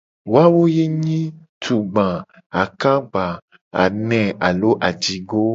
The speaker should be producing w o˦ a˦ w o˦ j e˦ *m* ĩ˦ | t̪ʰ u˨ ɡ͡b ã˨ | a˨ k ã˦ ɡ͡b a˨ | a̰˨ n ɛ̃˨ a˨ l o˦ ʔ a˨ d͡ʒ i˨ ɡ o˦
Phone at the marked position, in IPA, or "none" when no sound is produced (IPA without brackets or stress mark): ɲ